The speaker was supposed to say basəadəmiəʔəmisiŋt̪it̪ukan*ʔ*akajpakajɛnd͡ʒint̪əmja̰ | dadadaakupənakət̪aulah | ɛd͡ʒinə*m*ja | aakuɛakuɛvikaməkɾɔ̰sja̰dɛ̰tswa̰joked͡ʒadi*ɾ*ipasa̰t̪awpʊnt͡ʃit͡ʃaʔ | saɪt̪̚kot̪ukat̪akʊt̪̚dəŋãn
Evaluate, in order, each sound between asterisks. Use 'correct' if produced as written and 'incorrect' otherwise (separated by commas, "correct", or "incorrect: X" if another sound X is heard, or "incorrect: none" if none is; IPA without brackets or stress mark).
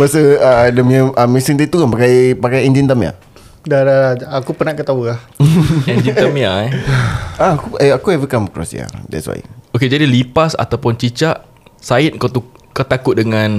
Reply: incorrect: p, correct, incorrect: l